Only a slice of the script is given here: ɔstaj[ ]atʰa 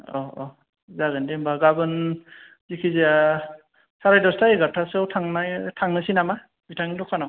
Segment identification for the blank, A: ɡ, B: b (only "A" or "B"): A